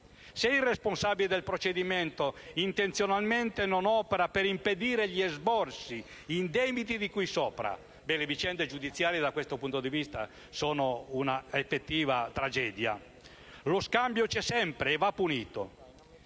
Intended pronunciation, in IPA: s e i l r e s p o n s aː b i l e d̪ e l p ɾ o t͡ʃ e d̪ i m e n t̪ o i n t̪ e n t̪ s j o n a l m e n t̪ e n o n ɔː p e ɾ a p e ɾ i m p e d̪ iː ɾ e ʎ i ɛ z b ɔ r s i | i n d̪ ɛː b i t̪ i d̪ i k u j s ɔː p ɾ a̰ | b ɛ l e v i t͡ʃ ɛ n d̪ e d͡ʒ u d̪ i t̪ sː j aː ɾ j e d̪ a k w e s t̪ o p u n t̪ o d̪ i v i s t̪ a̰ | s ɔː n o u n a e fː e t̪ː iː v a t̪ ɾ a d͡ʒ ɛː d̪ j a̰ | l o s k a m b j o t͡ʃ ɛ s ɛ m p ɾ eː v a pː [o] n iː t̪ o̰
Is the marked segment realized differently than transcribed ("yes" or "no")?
yes